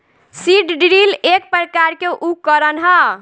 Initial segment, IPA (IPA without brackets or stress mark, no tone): s